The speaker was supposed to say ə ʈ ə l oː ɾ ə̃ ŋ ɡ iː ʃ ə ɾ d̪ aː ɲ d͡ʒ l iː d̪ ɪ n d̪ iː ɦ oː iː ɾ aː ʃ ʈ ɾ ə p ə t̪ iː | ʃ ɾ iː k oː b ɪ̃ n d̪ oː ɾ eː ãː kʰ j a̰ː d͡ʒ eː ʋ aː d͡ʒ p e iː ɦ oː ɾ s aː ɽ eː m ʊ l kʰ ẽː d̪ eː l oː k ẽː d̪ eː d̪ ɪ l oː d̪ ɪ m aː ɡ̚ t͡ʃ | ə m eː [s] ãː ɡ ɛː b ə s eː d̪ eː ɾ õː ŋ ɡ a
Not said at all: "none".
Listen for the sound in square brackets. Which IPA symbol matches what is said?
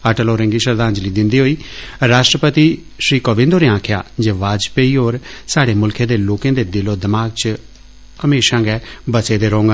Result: ʃ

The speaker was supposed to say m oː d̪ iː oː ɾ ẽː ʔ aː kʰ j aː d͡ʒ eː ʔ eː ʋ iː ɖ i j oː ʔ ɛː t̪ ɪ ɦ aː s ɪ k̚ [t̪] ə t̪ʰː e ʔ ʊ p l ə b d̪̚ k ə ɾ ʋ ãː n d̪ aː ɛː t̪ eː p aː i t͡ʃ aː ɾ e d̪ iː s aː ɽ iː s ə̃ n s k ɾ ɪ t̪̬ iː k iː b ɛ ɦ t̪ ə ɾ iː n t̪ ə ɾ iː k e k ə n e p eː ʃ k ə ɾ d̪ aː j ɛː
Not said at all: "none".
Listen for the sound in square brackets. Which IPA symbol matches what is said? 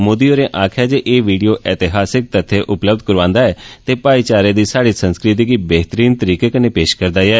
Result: t̪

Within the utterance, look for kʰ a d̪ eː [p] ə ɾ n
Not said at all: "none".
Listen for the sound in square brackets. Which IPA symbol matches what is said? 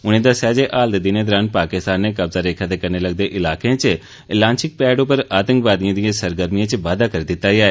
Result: k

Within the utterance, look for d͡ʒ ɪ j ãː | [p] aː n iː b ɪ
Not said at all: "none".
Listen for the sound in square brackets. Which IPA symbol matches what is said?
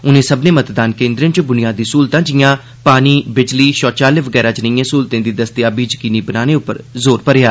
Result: p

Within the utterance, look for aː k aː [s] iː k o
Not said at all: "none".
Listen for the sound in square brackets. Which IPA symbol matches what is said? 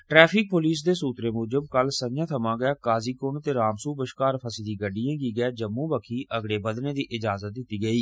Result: z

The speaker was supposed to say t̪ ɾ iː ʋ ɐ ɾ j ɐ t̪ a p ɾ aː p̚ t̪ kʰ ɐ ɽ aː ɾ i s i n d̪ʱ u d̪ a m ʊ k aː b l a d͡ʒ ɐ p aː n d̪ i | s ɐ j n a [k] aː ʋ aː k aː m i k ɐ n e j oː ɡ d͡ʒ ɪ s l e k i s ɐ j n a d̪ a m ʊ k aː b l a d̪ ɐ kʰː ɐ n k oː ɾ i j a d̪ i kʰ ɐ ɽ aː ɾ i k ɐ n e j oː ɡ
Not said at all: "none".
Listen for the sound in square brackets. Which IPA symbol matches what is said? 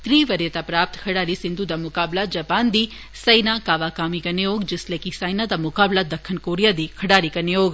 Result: k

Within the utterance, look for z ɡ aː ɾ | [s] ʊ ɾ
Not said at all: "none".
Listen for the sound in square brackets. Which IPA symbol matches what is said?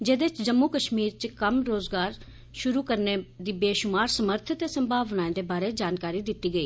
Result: ʃ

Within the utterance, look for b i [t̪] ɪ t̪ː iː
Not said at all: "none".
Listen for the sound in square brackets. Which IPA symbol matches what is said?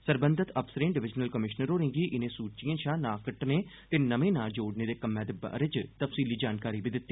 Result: d̪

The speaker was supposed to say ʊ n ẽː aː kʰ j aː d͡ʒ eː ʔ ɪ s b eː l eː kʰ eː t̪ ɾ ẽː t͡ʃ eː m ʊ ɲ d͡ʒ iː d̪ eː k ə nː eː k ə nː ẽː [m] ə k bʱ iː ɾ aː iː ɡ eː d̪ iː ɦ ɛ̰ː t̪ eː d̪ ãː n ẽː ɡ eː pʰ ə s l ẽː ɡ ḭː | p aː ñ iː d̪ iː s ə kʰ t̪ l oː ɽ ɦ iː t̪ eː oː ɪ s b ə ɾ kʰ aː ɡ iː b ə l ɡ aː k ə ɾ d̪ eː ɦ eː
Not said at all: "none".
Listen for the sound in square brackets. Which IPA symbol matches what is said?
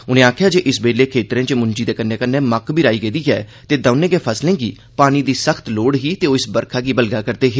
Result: m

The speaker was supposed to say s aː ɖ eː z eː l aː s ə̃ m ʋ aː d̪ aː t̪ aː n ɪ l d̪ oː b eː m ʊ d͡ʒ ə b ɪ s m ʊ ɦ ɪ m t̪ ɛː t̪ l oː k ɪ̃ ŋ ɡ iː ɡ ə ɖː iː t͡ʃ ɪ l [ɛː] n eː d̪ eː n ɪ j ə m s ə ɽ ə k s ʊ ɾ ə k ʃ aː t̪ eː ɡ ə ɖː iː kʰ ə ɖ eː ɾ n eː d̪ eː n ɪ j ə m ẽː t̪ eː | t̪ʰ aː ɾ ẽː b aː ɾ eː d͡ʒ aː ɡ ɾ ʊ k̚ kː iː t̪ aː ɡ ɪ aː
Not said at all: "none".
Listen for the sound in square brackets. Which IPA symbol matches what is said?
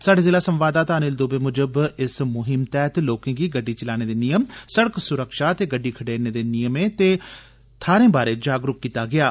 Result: aː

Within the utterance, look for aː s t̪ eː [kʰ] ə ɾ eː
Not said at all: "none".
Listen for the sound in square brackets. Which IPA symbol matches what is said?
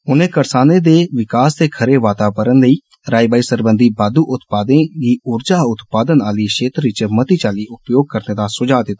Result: kʰ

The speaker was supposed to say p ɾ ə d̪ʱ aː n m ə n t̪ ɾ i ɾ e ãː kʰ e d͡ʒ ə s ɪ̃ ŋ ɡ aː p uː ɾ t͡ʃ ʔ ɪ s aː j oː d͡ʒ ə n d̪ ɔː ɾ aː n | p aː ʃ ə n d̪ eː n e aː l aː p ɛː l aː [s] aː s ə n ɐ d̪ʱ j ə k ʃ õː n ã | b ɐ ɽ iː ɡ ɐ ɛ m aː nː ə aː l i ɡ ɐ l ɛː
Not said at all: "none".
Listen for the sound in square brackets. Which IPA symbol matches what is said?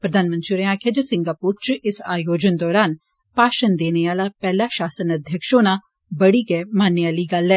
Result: ʃ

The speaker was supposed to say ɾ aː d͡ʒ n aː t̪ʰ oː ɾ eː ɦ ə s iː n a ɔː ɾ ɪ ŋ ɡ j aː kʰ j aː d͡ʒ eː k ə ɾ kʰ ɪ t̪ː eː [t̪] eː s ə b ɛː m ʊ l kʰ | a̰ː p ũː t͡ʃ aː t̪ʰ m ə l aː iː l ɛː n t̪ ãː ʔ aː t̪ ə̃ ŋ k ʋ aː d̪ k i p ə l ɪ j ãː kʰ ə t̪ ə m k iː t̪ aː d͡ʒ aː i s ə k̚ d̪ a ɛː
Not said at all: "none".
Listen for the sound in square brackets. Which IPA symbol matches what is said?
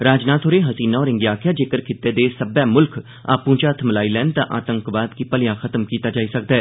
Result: d̪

